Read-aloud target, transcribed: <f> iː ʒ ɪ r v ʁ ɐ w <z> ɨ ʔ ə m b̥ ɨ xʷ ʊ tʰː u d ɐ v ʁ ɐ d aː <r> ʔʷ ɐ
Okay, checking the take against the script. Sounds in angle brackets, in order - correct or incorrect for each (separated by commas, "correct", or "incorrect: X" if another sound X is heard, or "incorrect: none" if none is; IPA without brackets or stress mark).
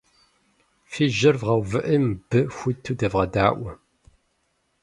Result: correct, incorrect: v, incorrect: none